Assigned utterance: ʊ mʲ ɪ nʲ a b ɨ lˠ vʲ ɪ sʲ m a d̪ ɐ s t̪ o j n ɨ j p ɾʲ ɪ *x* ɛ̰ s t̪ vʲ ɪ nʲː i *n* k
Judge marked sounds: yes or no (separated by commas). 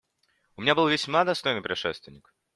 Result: no, no